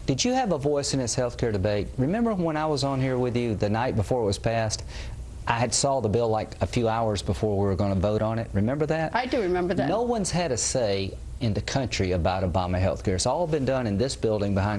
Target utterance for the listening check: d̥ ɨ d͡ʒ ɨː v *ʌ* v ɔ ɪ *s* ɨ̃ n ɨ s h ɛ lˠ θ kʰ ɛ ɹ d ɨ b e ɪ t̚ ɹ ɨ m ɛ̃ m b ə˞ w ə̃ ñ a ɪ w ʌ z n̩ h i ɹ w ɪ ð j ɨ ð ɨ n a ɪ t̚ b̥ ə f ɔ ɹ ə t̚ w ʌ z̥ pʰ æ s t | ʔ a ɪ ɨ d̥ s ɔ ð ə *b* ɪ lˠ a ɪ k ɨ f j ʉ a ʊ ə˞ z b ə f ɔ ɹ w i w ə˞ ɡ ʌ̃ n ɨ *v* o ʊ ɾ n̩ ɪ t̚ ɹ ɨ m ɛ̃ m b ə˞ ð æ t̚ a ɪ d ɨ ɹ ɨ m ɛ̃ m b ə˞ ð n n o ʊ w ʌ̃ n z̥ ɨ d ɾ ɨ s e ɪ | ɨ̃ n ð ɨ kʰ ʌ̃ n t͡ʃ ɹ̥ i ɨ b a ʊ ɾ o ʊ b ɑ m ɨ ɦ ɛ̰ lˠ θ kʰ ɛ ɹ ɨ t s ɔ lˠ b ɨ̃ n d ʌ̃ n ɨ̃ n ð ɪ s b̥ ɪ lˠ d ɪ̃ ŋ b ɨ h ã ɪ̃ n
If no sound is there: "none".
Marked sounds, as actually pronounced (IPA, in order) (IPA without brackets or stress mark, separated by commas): ə, s, b, v